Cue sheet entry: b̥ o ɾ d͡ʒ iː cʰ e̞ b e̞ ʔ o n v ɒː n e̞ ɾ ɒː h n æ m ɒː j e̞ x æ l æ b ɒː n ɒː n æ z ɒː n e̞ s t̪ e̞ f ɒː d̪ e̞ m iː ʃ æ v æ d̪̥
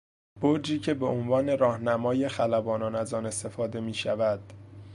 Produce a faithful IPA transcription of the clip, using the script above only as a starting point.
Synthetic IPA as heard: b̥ o ɾ d͡ʒ iː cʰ e̞ b e̞ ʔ o n v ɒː n e̞ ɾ ɒː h n æ m ɒː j e̞ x æ l æ b ɒː n ɒː n æ z ɒː n e̞ s t̪ e̞ f ɒː d̪ e̞ m iː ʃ æ v æ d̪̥